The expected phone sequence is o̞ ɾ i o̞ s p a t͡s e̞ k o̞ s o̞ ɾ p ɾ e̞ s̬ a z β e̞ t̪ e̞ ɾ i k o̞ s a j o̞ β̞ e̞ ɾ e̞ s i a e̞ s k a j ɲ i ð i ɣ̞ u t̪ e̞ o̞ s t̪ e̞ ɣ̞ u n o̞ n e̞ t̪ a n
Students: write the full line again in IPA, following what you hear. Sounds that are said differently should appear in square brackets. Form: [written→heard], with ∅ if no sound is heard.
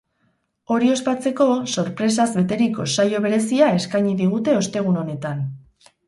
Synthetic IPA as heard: o̞ ɾ i o̞ s p a t͡s e̞ k o̞ s o̞ ɾ p ɾ e̞ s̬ a z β e̞ t̪ e̞ ɾ i k o̞ s a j o̞ β̞ e̞ ɾ e̞ s i a e̞ s k a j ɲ i ð i ɣ̞ u t̪ e̞ o̞ s t̪ e̞ ɣ̞ u n o̞ n e̞ t̪ a n